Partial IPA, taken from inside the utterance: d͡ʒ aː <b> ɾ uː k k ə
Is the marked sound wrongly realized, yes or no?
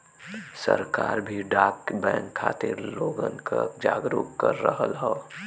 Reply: yes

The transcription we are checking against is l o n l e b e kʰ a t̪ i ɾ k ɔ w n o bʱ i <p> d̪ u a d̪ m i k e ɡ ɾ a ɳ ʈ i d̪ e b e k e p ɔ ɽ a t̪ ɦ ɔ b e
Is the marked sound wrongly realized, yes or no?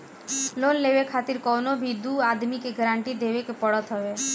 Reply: yes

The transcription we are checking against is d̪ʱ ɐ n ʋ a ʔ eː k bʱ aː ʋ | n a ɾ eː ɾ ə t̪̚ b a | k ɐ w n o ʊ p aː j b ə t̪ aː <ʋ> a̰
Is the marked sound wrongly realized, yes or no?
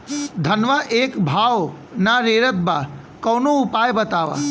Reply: no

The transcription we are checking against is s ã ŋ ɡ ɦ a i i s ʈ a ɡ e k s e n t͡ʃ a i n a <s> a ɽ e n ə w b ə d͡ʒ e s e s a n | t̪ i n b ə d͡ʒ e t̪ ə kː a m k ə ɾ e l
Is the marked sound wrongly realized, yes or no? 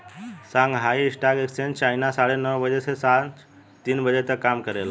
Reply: no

